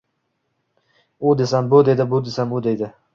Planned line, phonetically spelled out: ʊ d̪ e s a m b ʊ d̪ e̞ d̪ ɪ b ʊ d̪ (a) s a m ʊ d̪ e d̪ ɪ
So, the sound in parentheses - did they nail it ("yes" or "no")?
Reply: no